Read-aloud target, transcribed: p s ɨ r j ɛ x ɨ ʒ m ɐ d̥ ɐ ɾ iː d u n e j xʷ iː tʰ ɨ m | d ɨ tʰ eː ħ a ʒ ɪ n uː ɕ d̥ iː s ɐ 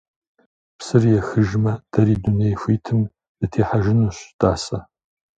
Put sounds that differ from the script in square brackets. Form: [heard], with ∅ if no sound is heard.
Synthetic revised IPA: p s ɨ r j ɛ x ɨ ʒ m ɐ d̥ ɐ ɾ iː d u n e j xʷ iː tʰ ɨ m | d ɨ tʰ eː ħ a ʒ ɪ n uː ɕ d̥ [aː] s ɐ